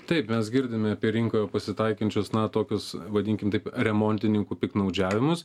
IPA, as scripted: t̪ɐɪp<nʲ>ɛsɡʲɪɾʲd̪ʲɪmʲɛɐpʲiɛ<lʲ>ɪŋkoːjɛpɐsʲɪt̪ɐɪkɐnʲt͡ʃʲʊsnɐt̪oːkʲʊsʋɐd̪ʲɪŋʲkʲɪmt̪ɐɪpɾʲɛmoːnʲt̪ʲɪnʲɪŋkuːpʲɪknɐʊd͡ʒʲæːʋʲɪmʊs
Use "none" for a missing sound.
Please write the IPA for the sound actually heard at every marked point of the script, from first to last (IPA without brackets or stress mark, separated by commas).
mʲ, ɾʲ